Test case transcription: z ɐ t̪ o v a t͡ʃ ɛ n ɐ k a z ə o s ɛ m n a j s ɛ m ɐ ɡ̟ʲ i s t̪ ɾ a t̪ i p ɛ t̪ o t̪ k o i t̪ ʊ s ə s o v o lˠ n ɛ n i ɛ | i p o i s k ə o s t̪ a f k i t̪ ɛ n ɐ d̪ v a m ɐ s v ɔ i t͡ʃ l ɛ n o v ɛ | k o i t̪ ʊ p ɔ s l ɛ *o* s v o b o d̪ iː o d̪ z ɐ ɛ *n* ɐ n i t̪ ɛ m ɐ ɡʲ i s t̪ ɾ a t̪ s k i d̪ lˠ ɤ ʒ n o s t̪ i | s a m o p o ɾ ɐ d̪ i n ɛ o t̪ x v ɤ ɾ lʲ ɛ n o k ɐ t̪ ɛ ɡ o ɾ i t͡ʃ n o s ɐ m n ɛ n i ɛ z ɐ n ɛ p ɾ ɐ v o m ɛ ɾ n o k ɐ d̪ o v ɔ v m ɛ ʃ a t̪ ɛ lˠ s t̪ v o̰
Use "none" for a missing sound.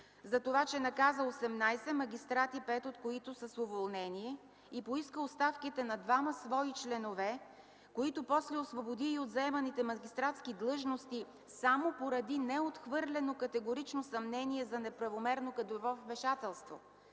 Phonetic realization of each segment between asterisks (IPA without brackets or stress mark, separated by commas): o, m